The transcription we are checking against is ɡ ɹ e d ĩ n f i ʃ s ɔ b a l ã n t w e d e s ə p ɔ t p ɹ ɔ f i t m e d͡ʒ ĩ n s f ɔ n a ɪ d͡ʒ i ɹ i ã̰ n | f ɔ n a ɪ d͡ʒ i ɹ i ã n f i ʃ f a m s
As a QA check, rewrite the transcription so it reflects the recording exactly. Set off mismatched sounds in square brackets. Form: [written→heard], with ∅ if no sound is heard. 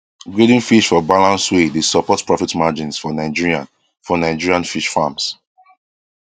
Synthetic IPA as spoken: ɡ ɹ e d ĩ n f i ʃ [s→f] ɔ b a l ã n [t→s] w e d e s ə p ɔ t p ɹ ɔ f i t m [e→a] d͡ʒ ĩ n s f ɔ n a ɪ d͡ʒ i ɹ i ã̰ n | f ɔ n a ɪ d͡ʒ i ɹ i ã n f i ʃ f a m s